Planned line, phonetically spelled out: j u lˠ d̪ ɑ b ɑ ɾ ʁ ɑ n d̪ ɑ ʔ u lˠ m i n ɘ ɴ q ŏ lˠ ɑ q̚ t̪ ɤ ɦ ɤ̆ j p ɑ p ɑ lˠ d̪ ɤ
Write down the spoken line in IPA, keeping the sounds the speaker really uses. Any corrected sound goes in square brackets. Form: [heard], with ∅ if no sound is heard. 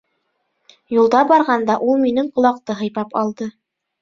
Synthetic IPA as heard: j u lˠ d̪ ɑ b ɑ ɾ ʁ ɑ n d̪ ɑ ʔ u lˠ m i n ɘ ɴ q ŏ lˠ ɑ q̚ t̪ ɤ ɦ ɤ̆ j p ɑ p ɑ lˠ d̪ ɤ